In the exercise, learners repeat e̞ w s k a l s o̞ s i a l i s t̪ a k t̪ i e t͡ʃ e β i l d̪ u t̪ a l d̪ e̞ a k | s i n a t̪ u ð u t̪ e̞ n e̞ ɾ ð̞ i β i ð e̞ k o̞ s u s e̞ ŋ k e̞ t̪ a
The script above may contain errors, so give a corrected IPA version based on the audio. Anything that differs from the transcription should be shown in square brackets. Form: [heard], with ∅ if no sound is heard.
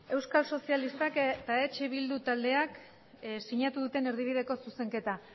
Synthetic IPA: e̞ w s k a l s o̞ s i a l i s t̪ a k t̪ [a] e t͡ʃ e β i l d̪ u t̪ a l d̪ e̞ a k | s i [ɲ] a t̪ u ð u t̪ e̞ n e̞ ɾ ð̞ i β i ð e̞ k o̞ s u s e̞ ŋ k e̞ t̪ a